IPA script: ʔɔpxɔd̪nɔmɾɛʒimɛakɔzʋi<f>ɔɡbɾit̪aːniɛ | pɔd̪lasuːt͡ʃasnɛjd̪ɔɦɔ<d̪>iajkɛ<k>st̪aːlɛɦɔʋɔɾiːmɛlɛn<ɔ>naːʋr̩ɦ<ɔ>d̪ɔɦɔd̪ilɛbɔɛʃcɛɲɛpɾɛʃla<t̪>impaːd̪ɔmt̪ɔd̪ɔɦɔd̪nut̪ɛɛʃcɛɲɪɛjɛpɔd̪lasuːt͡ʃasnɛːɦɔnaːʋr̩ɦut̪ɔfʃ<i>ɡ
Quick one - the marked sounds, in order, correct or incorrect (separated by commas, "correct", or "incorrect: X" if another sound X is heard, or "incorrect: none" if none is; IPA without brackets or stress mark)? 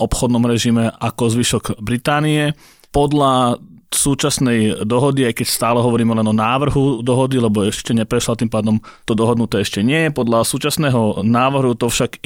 incorrect: ʃ, correct, incorrect: c, correct, incorrect: u, correct, incorrect: a